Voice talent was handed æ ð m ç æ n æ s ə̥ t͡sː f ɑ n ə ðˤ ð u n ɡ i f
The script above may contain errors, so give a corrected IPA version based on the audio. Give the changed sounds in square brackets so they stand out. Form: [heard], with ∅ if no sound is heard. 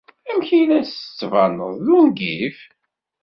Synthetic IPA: æ [∅] m ç [i] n æ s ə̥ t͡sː [v] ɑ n ə ðˤ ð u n ɡ i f